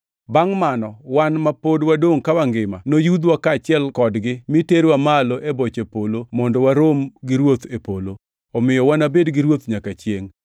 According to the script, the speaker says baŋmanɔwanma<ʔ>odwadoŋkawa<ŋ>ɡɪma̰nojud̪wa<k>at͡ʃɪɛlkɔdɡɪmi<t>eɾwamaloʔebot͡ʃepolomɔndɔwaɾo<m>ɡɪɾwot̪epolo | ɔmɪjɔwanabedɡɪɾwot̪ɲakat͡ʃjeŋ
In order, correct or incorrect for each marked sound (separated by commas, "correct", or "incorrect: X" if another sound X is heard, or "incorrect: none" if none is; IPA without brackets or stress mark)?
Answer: incorrect: p, correct, correct, correct, correct